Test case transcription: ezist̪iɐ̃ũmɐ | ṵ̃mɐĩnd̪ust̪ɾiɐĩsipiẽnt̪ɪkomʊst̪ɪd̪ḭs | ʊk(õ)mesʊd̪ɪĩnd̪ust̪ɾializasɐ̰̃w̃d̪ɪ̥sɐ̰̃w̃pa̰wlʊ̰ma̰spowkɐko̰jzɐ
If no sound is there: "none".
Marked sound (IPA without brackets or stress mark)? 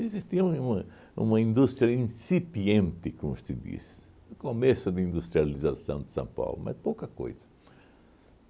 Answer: o